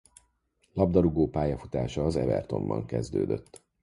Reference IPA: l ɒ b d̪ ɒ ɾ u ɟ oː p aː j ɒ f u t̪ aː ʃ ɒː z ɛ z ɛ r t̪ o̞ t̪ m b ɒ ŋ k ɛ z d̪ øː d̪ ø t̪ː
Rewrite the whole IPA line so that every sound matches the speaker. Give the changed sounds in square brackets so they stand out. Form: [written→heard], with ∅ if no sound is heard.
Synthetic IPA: l ɒ b d̪ ɒ ɾ u [ɟ→ɡ] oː p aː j ɒ f u t̪ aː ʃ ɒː z ɛ [z→v] ɛ r t̪ o̞ [t̪→∅] m b ɒ ŋ k ɛ z d̪ øː d̪ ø t̪ː